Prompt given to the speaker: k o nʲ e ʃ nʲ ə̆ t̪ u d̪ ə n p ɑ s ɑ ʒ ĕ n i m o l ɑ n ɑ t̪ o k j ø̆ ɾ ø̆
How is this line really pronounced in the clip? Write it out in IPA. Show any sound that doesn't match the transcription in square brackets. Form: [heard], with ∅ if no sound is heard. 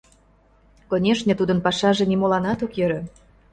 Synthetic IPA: k o nʲ e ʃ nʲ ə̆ t̪ u d̪ ə n p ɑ [ʃ] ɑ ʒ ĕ n i m o l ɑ n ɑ t̪ o k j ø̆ ɾ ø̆